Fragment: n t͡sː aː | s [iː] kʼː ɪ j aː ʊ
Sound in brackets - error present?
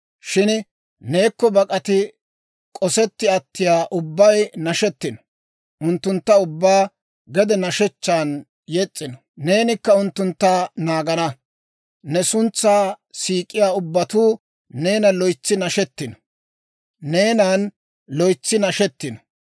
no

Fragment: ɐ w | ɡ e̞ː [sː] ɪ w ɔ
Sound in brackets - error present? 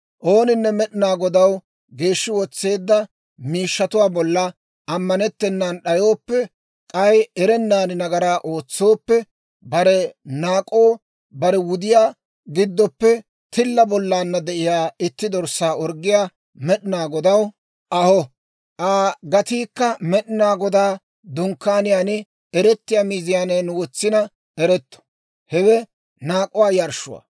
yes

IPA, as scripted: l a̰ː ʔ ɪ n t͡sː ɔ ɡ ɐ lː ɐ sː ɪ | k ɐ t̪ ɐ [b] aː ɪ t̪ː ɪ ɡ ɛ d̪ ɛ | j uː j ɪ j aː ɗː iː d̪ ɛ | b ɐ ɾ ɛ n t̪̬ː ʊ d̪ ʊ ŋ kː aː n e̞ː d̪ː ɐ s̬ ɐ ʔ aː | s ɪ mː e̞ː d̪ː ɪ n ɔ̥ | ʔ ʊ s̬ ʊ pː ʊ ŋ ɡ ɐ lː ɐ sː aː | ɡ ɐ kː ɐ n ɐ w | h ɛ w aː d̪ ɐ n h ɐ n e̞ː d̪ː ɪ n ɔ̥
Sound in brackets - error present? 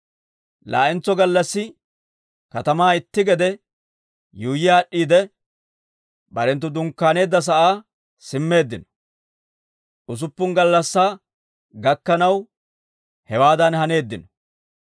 yes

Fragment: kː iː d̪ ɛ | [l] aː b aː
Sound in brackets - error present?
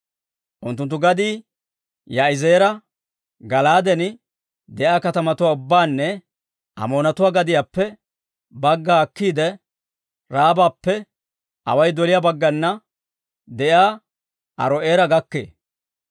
yes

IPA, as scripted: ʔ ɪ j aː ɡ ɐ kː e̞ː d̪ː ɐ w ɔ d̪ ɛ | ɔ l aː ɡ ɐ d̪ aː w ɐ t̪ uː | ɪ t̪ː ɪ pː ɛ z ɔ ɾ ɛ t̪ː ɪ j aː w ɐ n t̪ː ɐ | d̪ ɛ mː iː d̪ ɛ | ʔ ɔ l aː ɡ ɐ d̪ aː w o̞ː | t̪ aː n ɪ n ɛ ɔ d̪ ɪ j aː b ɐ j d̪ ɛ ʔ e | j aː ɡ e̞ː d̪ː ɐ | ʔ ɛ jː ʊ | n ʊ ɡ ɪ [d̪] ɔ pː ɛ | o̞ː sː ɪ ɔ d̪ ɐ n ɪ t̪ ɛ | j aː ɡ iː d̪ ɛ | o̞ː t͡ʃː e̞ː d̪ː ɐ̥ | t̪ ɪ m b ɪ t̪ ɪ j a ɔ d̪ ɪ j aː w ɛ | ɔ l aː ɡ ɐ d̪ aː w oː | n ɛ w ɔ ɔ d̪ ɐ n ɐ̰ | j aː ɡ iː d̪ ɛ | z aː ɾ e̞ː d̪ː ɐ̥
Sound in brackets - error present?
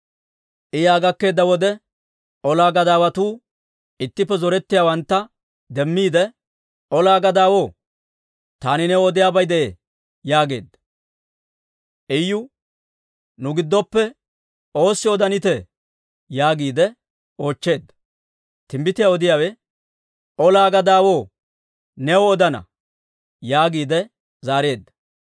yes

